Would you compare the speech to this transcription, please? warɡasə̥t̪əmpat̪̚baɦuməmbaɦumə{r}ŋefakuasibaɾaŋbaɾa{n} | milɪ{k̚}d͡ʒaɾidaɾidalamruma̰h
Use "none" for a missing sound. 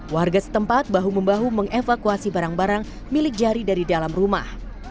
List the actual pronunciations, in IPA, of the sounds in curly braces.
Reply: none, ŋ, k̚

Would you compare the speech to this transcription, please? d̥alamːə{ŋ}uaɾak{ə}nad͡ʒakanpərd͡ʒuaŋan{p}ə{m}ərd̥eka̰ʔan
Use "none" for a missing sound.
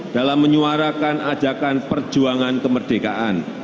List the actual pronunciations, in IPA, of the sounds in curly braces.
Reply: ɲ, a, k, m

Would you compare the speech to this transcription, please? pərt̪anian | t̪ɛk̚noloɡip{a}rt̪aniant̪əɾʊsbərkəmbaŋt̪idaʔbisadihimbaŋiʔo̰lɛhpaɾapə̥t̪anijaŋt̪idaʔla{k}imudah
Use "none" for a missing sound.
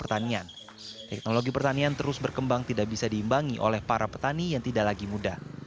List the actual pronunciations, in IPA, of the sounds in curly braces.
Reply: ə, ɡ

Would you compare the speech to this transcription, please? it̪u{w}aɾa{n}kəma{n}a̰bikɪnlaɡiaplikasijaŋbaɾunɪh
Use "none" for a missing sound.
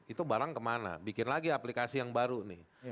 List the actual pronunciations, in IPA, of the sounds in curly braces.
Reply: b, ŋ, n

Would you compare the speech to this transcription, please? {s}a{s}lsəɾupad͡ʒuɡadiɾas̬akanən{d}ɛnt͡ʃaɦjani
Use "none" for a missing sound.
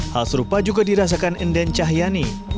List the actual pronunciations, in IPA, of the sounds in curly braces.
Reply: h, none, d

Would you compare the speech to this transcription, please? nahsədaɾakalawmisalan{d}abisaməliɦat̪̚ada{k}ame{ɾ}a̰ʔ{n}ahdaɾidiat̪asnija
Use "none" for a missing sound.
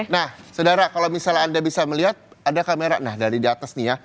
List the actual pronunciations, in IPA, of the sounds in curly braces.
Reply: d, k, ɾ, n

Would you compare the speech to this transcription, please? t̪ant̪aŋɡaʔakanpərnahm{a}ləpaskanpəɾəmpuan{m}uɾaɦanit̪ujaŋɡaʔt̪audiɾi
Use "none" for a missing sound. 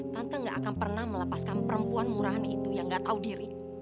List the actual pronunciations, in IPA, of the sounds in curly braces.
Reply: ə, m

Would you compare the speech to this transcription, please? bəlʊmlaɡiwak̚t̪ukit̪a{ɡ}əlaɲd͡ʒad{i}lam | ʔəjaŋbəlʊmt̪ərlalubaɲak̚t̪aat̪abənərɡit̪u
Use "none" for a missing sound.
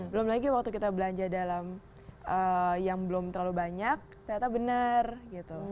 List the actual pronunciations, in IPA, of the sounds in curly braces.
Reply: b, a

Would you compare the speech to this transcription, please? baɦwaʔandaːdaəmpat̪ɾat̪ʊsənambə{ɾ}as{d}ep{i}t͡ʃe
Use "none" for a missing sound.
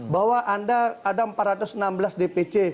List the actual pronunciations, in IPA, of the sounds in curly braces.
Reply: l, d, e

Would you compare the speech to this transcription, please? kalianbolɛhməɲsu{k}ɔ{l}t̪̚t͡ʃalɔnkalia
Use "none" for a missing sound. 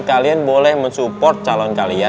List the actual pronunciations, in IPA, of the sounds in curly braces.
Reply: p, r

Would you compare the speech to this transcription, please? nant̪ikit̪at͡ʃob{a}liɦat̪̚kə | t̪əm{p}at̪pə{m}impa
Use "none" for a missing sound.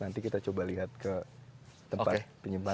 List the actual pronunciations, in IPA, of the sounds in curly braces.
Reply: a, p, ɲ

